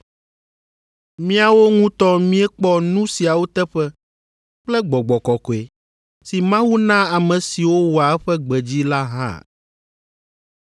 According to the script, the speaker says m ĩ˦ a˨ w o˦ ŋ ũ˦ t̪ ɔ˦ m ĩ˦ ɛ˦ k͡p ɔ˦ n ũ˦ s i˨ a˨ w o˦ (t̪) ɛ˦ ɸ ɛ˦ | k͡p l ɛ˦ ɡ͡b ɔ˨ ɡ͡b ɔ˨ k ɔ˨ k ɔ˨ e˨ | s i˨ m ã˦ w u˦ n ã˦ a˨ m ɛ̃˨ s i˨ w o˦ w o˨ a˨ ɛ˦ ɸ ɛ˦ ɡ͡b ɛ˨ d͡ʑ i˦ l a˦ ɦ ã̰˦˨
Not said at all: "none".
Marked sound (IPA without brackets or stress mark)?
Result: t̪